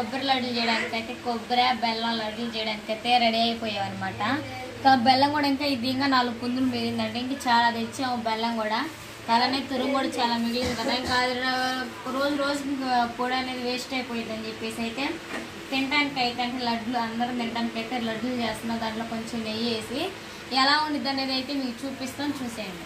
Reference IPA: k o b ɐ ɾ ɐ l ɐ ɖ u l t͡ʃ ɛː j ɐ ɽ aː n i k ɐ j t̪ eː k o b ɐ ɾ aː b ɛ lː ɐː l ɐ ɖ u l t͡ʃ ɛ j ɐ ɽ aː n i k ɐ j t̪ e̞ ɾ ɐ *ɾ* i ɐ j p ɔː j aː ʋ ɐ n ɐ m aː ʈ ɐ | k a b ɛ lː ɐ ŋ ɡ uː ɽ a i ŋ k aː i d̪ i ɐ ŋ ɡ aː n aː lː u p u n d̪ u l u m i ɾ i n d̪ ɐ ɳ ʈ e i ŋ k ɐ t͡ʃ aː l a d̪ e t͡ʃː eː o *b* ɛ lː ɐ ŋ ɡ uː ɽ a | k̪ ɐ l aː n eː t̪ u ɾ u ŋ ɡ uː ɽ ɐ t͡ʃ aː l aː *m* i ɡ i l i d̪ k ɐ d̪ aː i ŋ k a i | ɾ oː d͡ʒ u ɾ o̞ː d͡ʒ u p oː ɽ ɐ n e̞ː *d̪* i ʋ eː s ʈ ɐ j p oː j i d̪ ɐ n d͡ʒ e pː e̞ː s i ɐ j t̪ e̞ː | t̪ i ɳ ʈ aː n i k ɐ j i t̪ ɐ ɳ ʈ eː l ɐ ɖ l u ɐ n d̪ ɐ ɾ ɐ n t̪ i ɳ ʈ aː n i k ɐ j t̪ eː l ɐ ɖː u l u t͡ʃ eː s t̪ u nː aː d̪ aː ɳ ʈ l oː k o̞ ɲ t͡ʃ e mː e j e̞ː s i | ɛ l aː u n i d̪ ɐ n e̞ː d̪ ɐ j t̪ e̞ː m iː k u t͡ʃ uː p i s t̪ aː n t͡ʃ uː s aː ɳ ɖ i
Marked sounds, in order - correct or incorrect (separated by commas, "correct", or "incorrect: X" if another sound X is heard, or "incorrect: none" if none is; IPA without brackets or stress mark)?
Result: incorrect: ɽ, correct, correct, correct